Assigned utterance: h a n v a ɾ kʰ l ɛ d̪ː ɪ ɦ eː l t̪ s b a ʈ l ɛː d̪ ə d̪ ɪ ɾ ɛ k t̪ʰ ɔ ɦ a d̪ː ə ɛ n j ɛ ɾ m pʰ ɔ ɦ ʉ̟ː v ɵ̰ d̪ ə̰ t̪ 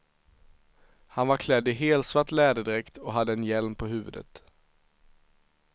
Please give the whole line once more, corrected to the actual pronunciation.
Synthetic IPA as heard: h a n v a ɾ kʰ l ɛ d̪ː ɪ ɦ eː l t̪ s v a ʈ l ɛː d̪ ə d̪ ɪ ɾ ɛ k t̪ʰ ɔ ɦ a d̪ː ə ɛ n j ɛ l m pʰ ɔ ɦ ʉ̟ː v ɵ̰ d̪ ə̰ t̪

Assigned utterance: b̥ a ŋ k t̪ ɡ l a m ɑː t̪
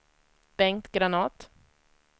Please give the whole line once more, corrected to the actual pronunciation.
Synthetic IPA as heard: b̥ ɛ ŋ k t̪ ɡ ɾ a n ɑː t̪

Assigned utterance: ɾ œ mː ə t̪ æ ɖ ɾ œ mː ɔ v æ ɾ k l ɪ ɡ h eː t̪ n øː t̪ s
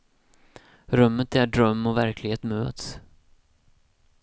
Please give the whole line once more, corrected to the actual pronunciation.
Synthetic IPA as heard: ɾ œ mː ə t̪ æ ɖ ɾ œ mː ɔ v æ ɾ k l ɪ ɡ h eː t̪ m øː t̪ s

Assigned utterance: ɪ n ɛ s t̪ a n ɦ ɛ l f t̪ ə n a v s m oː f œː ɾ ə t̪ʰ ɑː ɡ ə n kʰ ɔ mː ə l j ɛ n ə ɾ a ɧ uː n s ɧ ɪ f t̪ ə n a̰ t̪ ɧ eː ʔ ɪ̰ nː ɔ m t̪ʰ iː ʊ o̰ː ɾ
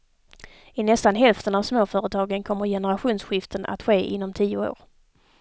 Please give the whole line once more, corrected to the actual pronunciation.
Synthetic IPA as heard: ɪ n ɛ s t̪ a n ɦ ɛ l f t̪ ə n a v s m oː f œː ɾ ə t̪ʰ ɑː ɡ ə n kʰ ɔ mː ə ɾ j ɛ n ə ɾ a ɧ uː n s ɧ ɪ f t̪ ə n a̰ t̪ ɧ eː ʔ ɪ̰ nː ɔ m t̪ʰ iː ʊ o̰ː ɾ

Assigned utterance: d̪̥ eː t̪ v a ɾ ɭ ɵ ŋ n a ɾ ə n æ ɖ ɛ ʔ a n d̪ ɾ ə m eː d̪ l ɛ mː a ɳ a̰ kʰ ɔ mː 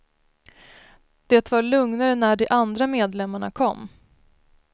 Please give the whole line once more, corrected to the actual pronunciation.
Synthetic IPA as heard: d̪̥ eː t̪ v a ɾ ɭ ɵ ŋ n a ɾ ə n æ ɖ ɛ ʔ a n d̪ ɾ a m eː d̪ l ɛ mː a ɳ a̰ kʰ ɔ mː

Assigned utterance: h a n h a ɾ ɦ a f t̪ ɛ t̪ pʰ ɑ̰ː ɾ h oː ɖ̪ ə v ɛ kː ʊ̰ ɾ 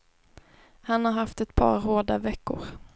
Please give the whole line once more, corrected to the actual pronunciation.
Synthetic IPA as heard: h a n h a ɾ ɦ a f t̪ ɛ t̪ pʰ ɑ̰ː ɾ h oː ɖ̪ a v ɛ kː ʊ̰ ɾ

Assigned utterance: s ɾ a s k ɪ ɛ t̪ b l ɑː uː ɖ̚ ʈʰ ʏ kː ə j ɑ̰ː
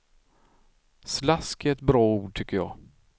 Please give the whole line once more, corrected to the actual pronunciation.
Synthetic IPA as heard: s l a s k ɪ ɛ t̪ b ɾ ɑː uː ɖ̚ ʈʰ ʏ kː ə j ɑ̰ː

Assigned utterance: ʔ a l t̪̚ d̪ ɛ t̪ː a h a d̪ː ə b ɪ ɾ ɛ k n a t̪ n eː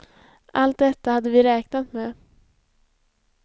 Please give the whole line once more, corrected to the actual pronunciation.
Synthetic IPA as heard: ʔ a l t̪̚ d̪ ɛ t̪ː a h a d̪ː ə v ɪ ɾ ɛː k n a t̪ m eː

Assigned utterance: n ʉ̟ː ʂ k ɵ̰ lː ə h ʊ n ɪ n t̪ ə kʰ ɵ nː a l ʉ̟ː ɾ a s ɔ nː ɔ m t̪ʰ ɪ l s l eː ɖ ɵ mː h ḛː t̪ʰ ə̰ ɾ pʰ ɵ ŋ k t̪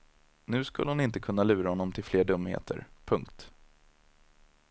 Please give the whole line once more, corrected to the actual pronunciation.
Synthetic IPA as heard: n ʉ̟ː s k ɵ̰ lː ə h ʊ n ɪ n t̪ ə kʰ ɵ nː a l ʉ̟ː ɾ a h ɔ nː ɔ m t̪ʰ ɪ l f l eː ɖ ɵ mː h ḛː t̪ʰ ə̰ ɾ pʰ ɵ ŋ k t̪

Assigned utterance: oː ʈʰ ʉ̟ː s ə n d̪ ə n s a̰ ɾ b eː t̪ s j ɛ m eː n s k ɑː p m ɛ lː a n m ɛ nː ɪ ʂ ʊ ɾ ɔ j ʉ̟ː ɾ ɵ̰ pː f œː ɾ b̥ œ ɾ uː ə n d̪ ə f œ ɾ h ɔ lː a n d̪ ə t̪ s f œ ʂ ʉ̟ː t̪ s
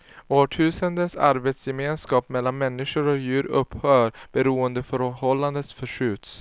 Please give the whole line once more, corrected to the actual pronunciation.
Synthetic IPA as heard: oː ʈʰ ʉ̟ː s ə n d̪ ə n s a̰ ɾ b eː t̪ s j ɛ m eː n s k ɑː p m ɛ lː a n m ɛ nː ɪ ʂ ʊ ɾ ɔ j ʉ̟ː ɾ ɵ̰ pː h œː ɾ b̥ ɛ ɾ uː ə n d̪ ə f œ ɾ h ɔ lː a n d̪ ə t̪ s f œ ʂ ʉ̟ː t̪ s

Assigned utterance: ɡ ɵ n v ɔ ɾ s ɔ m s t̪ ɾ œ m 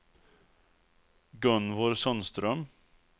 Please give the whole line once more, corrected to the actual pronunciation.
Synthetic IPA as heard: ɡ ɵ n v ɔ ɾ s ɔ n s t̪ ɾ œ m

